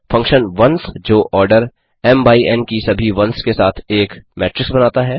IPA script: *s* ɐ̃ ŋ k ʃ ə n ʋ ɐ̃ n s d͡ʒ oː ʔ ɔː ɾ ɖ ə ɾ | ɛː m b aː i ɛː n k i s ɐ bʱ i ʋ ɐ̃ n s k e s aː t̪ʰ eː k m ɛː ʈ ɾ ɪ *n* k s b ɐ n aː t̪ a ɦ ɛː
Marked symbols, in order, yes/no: no, no

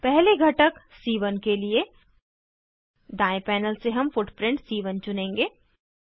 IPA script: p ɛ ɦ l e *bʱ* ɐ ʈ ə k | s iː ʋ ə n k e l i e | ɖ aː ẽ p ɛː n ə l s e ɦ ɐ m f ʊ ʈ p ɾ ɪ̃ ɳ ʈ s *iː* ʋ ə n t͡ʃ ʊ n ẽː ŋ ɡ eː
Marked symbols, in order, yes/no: no, yes

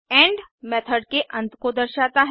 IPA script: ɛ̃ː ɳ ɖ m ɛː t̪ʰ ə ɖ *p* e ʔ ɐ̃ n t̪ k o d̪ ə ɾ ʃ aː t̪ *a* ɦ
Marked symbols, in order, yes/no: no, yes

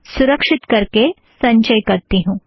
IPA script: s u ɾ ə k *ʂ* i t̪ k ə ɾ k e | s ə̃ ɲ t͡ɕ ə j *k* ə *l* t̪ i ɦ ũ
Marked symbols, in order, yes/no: yes, yes, no

